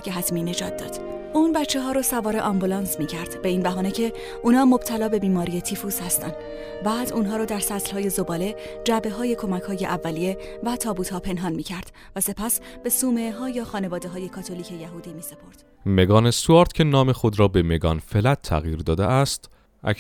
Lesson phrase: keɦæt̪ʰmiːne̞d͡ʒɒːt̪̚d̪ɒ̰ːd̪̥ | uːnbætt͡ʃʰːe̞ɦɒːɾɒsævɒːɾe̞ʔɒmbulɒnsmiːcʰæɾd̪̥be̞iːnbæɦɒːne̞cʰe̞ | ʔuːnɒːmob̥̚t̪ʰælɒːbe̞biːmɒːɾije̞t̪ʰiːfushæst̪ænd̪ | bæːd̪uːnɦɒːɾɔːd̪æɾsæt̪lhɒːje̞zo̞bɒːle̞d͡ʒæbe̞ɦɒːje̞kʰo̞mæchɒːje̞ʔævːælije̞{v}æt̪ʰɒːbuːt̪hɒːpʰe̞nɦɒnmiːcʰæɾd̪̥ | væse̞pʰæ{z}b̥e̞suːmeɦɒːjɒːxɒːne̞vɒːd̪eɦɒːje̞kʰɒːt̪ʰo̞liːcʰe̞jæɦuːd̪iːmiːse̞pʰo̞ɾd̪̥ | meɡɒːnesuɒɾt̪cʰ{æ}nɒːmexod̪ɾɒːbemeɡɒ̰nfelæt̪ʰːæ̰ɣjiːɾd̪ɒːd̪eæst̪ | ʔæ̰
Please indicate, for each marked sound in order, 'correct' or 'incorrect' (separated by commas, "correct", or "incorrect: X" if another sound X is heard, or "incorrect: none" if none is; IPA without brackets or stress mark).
correct, incorrect: s, incorrect: e